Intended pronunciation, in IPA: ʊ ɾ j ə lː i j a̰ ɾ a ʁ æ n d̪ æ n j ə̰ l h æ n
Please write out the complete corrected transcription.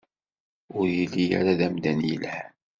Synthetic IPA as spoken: ʊ ɾ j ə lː i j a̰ ɾ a ð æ m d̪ æ n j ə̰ l h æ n